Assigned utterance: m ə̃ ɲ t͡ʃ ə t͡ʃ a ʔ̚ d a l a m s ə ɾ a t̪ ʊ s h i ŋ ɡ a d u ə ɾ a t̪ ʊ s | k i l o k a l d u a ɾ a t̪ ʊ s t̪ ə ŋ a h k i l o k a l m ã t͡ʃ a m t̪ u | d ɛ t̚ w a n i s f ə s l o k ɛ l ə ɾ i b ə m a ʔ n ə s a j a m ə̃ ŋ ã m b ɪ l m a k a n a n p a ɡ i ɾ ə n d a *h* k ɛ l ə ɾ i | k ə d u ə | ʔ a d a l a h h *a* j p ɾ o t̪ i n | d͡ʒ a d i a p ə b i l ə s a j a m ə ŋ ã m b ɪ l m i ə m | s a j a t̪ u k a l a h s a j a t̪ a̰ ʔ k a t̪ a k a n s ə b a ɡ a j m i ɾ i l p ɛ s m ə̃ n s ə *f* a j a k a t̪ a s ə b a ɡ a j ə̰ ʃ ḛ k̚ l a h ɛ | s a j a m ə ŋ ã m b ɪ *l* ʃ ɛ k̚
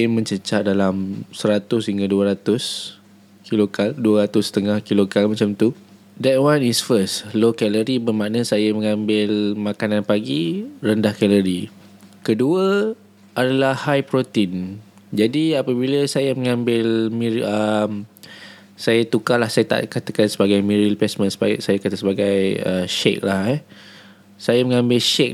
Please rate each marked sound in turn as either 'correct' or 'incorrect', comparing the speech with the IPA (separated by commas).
correct, correct, incorrect, correct